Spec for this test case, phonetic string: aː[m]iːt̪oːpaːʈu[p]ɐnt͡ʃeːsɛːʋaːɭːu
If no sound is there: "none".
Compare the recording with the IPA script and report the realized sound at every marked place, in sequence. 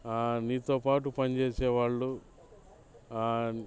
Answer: n, p

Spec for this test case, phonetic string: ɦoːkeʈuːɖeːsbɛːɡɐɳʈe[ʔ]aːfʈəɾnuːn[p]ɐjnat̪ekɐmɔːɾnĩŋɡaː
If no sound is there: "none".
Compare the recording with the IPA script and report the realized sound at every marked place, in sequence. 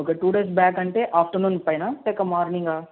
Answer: ʔ, p

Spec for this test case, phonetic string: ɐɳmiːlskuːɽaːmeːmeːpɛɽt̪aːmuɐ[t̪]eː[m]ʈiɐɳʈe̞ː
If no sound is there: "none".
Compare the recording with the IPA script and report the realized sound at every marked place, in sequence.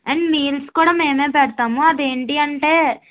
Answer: d̪, ɳ

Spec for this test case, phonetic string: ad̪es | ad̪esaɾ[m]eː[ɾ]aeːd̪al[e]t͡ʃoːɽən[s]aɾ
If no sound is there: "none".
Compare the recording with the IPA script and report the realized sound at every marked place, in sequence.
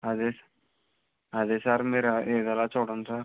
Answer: m, ɾ, a, s

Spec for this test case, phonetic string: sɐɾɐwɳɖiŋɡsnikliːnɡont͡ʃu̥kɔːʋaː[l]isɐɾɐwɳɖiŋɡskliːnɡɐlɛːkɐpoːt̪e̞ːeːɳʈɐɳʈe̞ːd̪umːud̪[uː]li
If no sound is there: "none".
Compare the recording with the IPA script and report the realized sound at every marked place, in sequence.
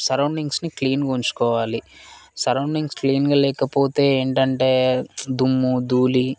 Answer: l, uː

